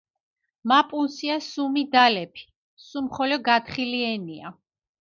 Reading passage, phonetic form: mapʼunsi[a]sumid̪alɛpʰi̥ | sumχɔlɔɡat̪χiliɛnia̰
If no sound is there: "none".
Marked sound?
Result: a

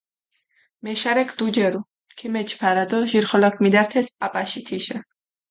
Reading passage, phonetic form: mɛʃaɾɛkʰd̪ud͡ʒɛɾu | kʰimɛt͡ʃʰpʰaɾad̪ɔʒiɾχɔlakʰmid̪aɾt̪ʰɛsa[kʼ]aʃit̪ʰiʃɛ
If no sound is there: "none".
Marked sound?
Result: pʼ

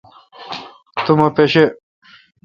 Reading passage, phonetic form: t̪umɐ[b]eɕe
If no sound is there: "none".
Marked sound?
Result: p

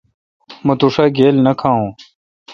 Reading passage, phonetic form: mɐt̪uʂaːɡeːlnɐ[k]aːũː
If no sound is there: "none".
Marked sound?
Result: kʰ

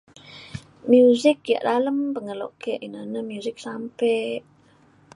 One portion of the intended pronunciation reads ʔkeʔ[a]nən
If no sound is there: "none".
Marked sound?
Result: i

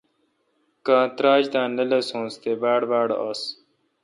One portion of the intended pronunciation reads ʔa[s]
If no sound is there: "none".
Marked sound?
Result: s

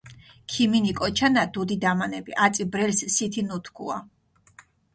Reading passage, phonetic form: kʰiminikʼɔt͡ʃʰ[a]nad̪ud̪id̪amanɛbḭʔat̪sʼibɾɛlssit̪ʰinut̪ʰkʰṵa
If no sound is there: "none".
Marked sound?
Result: a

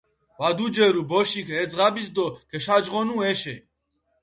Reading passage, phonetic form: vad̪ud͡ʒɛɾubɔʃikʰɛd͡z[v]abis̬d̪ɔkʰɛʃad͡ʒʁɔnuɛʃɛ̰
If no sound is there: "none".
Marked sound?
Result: ʁ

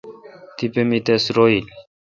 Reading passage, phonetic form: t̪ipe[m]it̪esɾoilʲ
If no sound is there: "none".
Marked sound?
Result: m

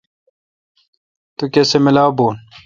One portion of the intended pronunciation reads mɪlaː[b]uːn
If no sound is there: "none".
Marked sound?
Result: b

